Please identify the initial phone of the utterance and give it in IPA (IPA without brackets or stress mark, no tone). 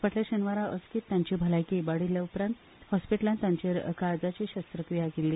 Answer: p